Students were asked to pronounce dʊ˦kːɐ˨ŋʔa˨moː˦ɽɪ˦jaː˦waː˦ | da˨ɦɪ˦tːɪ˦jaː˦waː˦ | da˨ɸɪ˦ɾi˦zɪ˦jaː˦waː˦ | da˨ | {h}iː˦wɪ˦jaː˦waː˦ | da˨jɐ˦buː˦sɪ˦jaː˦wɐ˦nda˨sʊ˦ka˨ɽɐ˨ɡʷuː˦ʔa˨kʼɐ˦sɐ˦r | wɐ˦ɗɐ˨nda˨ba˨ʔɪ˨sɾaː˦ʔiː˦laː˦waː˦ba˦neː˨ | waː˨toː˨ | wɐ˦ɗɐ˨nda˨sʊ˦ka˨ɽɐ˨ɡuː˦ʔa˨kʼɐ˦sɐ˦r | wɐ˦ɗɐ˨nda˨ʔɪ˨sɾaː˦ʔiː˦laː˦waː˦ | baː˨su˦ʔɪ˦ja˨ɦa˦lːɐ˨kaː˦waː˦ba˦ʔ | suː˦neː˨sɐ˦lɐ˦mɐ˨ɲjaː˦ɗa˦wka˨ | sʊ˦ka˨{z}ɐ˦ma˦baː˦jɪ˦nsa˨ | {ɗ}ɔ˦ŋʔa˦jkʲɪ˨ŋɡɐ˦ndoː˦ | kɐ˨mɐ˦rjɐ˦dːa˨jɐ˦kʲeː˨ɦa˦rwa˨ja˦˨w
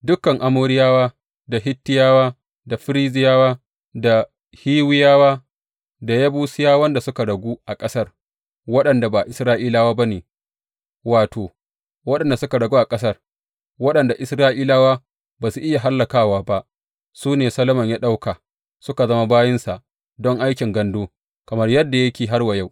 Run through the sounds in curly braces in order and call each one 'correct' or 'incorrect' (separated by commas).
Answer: correct, correct, incorrect